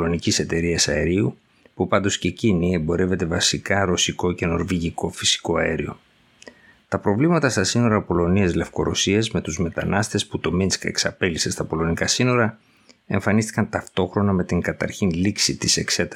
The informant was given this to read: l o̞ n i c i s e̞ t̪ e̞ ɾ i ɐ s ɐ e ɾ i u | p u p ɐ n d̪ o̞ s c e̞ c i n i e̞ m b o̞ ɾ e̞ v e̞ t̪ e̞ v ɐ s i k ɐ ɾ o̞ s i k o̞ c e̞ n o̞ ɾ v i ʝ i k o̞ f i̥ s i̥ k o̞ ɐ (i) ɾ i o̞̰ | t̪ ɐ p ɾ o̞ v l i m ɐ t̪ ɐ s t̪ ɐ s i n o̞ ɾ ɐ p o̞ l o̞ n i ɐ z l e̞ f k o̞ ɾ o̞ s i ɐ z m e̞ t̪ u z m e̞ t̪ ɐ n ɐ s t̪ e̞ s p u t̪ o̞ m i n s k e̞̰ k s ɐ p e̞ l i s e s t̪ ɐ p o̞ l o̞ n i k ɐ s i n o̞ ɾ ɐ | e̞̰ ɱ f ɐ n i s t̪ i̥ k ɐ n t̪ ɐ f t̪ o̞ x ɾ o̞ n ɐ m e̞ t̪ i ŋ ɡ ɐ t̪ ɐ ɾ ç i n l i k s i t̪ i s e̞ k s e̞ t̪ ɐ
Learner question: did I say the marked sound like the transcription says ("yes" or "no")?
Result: no